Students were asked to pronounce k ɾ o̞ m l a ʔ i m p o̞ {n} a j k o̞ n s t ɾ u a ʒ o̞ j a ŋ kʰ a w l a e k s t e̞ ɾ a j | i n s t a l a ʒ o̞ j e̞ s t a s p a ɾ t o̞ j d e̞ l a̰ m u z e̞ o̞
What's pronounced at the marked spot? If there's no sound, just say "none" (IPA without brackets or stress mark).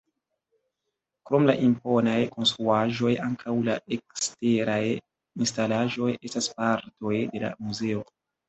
n